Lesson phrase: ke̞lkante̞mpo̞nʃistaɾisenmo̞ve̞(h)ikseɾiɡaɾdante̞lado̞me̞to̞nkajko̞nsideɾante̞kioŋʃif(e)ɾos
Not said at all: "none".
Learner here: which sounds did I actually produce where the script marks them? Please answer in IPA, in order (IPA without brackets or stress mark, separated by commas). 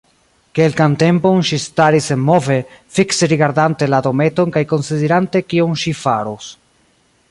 f, a